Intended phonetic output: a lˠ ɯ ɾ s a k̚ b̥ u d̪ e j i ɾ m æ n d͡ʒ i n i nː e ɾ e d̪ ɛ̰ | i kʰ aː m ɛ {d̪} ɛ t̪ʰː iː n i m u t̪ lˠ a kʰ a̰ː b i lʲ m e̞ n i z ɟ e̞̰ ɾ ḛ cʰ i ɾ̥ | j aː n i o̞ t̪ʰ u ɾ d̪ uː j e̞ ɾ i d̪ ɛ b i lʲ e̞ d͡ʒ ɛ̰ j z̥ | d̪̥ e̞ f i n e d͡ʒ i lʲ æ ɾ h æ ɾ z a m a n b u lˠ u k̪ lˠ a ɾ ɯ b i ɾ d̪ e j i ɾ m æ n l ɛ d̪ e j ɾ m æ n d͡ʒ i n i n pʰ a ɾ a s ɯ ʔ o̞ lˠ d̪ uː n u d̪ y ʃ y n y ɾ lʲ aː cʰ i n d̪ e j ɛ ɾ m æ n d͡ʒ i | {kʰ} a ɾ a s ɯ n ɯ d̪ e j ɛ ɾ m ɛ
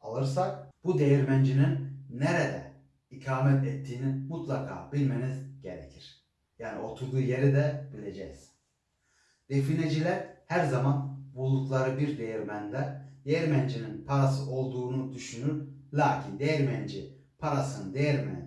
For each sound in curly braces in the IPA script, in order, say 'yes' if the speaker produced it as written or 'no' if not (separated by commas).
no, no